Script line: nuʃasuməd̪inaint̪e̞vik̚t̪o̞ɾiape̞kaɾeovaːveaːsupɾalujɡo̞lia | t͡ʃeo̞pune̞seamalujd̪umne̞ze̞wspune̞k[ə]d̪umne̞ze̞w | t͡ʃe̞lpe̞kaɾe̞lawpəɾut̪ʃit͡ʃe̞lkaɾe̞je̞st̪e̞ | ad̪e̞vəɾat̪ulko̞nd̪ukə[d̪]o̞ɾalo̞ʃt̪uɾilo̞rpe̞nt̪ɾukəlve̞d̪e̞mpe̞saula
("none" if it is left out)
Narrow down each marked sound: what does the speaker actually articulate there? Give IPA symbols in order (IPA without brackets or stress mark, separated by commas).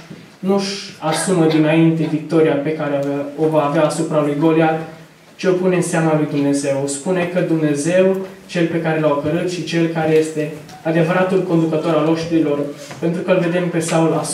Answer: ə, t̪